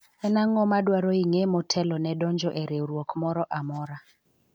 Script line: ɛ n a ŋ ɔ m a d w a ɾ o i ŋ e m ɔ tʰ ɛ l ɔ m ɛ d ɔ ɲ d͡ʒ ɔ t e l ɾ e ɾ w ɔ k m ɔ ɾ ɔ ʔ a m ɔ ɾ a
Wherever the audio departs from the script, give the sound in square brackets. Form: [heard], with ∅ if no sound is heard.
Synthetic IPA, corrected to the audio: ɛ n a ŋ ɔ m a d w a ɾ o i ŋ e m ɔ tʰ ɛ l ɔ [n] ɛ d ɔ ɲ d͡ʒ ɔ [ʔ] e [∅] ɾ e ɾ w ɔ k m ɔ ɾ ɔ ʔ a m ɔ ɾ a